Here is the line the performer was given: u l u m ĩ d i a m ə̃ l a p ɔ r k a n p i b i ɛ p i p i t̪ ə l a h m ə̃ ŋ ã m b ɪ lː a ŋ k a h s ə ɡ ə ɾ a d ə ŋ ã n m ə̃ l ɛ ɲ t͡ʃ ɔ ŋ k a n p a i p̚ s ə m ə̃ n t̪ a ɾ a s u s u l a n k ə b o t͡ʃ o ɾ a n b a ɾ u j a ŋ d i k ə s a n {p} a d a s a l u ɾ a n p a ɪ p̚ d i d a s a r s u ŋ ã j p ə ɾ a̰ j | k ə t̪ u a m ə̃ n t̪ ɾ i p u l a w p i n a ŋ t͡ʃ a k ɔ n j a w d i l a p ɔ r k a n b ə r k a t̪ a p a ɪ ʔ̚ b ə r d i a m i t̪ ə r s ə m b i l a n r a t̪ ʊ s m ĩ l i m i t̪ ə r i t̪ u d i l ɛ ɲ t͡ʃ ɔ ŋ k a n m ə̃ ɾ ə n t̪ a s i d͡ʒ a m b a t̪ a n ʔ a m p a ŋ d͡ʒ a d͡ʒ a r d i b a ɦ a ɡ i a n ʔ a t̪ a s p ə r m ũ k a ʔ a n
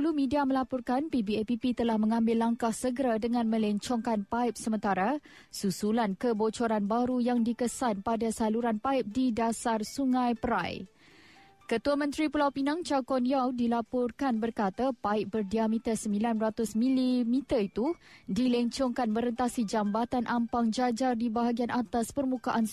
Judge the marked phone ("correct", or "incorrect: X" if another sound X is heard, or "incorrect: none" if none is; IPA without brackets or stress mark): correct